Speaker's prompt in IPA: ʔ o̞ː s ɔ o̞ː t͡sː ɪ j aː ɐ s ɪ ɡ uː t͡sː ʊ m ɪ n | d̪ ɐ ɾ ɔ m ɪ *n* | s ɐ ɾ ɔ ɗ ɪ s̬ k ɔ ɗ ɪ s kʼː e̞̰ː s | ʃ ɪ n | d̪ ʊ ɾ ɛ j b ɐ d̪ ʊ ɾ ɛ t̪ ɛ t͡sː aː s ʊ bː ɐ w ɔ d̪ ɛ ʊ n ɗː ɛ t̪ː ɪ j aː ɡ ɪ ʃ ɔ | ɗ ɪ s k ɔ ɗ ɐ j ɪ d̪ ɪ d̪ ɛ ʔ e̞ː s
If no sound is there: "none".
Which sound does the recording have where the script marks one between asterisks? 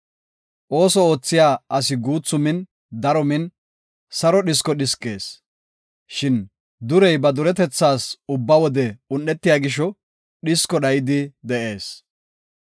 n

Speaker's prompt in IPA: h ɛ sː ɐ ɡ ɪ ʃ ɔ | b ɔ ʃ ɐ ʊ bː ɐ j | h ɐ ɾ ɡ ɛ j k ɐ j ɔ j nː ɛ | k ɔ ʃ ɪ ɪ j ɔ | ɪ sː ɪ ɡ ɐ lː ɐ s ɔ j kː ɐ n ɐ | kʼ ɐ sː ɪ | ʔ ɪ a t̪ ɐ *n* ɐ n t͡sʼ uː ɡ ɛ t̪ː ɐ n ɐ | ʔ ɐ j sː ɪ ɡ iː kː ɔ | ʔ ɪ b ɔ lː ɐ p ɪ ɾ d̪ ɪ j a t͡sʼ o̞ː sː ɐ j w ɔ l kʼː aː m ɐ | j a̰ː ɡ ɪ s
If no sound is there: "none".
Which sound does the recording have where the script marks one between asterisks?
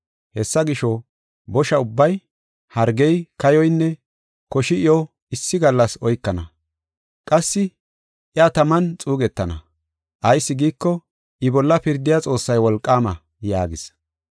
m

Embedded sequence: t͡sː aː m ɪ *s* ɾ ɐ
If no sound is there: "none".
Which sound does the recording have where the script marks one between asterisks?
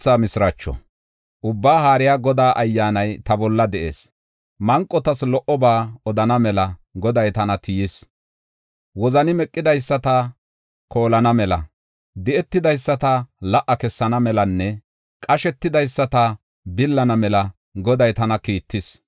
s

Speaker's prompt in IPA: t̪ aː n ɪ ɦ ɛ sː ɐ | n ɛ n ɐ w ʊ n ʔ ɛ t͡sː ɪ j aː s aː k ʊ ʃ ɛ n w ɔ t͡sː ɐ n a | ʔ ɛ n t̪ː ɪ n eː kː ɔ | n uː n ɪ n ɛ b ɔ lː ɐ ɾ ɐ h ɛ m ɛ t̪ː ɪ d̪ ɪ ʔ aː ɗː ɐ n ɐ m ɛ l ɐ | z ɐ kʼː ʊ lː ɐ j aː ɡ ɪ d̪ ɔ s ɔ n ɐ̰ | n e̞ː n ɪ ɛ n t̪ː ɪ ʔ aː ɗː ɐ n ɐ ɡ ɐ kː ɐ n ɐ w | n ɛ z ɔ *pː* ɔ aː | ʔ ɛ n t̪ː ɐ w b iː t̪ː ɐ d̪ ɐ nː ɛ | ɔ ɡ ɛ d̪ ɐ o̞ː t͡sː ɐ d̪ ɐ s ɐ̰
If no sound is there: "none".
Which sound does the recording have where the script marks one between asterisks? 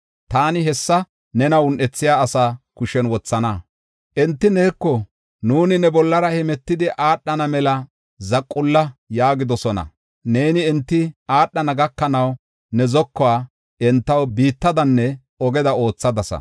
kː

